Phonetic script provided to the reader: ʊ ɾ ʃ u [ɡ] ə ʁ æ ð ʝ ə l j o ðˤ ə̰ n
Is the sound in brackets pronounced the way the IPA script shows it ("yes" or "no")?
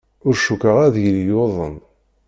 no